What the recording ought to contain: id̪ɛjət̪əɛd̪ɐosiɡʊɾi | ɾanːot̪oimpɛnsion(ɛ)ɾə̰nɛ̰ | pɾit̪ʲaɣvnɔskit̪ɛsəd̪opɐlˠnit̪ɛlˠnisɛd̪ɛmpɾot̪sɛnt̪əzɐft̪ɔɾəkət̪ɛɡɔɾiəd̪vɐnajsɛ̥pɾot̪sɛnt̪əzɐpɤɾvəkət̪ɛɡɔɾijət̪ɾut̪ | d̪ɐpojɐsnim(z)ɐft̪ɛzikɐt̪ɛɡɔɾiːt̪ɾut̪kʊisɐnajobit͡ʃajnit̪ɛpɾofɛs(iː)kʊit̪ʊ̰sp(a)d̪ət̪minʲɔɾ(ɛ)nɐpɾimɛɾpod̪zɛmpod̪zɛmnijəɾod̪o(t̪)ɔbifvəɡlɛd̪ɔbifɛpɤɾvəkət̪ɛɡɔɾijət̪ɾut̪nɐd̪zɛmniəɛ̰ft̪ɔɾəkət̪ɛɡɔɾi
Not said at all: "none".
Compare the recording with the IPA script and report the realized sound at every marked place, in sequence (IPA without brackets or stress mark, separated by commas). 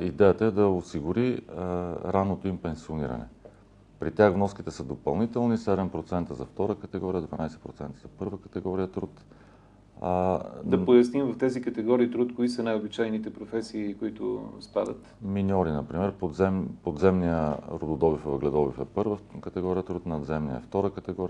i, v, iː, a, i, d̪